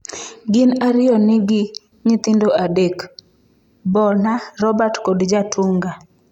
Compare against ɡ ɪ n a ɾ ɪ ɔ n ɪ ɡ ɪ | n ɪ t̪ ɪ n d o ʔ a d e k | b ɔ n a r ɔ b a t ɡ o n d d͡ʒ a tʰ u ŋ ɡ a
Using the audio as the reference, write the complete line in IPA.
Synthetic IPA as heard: ɡ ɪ n a ɾ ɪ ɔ n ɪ ɡ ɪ | ɲ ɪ t̪ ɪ n d o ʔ a d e k | b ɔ n a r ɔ b a t k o d d͡ʒ a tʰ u ŋ ɡ a